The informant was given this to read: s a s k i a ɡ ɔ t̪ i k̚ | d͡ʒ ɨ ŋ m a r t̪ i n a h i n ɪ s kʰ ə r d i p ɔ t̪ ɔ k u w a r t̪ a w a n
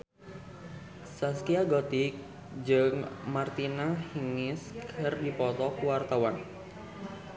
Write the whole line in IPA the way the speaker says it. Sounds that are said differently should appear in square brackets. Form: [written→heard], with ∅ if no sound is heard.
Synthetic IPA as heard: s a s k i a ɡ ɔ t̪ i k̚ | d͡ʒ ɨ ŋ m a r t̪ i n a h i [n→ŋ] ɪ s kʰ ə r d i p ɔ t̪ ɔ k u w a r t̪ a w a n